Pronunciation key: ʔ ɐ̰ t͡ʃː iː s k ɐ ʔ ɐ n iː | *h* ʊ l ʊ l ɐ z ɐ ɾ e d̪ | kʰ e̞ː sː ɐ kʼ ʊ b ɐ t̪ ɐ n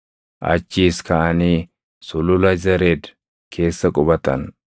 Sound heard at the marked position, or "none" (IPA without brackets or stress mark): s